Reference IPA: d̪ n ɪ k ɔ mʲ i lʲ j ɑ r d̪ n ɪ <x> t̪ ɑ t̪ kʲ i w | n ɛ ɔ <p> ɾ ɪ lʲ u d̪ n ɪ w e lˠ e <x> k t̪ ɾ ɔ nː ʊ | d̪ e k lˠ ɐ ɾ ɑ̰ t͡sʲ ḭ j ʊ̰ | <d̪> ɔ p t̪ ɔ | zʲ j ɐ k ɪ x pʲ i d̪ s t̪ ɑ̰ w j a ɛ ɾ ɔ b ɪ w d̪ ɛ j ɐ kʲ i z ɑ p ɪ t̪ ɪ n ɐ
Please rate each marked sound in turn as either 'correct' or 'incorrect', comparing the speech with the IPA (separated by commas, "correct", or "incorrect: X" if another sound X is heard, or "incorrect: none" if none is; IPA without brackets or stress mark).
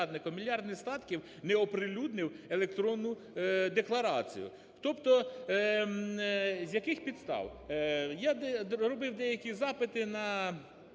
incorrect: s, correct, incorrect: none, incorrect: t̪